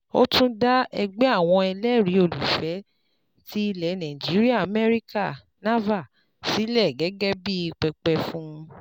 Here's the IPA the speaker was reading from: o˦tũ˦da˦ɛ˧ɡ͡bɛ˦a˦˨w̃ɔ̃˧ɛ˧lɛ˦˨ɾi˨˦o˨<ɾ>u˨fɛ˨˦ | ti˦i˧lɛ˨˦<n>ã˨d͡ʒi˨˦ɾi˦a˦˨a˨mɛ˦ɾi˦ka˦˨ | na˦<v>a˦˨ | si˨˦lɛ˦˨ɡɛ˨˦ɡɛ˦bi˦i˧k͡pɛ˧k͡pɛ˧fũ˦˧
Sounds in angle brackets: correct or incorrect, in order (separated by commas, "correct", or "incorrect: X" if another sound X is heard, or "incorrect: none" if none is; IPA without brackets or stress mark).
incorrect: l, correct, correct